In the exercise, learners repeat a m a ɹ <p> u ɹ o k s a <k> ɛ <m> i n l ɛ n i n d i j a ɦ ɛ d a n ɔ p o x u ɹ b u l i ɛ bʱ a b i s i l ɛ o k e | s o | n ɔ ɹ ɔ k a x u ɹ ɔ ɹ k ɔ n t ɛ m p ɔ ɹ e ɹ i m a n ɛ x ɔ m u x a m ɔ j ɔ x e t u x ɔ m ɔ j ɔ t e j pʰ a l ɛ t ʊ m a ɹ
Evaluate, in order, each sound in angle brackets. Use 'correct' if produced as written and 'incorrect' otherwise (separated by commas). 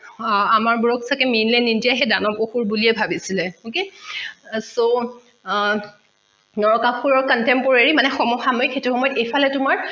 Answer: incorrect, correct, correct